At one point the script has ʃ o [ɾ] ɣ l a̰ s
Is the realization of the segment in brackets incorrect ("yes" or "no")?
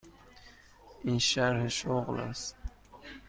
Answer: yes